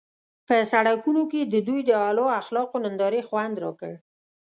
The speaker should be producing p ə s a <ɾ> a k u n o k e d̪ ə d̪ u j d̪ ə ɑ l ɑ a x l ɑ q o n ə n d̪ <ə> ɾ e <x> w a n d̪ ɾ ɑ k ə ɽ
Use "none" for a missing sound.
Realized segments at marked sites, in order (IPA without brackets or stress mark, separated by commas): ɽ, ɑ, x